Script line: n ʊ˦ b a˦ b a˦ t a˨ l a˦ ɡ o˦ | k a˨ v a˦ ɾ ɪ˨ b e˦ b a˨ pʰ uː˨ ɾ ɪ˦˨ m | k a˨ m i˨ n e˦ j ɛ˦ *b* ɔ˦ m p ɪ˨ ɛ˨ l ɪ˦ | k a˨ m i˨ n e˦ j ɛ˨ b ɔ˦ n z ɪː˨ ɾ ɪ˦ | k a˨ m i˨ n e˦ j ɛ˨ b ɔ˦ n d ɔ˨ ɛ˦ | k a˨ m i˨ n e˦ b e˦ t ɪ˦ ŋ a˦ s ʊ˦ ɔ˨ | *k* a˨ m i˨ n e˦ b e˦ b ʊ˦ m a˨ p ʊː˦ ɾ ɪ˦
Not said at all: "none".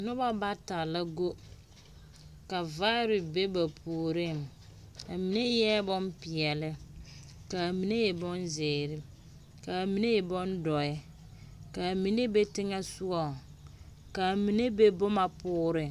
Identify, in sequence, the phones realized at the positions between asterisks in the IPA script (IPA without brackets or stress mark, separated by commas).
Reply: b, k